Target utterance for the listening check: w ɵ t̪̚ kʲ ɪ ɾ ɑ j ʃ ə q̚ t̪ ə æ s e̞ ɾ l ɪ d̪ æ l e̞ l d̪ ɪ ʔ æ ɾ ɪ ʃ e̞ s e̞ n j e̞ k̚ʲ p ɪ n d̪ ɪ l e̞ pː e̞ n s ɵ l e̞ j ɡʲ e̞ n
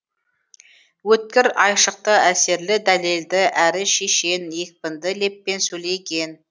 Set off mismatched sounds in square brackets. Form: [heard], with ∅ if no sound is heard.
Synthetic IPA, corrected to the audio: w ɵ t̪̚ kʲ ɪ ɾ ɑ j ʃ ə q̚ t̪ ə æ s e̞ ɾ l ɪ d̪ æ l e̞ l d̪ ɪ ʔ æ ɾ ɪ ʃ e̞ [ʃ] e̞ n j e̞ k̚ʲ p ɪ n d̪ ɪ l e̞ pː e̞ n s ɵ l e̞ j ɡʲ e̞ n